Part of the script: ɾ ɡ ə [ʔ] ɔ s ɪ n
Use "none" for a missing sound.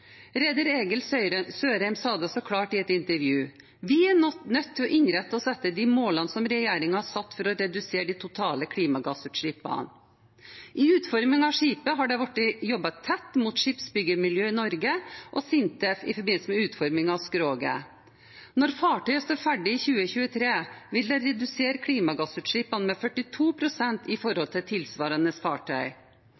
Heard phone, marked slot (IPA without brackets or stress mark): ʔ